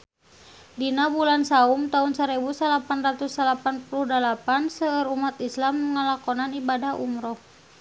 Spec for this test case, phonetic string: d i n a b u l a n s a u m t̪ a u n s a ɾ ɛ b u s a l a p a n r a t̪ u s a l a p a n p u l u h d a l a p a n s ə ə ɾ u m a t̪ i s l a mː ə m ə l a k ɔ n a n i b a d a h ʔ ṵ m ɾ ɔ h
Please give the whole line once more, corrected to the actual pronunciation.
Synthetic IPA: d i n a b u l a n s a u m t̪ a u n s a ɾ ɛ b u s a l a p a n r a t̪ u s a l a p a n p u l u h d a l a p a n s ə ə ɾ u m a t̪ i s l a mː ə ŋ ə l a k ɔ n a n i b a d a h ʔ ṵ m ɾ ɔ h